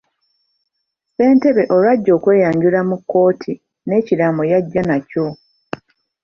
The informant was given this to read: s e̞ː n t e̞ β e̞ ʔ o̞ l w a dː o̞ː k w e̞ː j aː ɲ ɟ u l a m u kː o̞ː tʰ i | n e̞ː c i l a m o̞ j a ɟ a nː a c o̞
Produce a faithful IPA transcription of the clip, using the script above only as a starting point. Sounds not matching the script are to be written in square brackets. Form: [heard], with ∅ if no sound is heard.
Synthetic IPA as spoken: s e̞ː n t e̞ β e̞ ʔ o̞ l w a [ɟː] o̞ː k w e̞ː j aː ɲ ɟ u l a m u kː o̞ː tʰ i | n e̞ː c i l a m o̞ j a [ɟː] a [n] a c o̞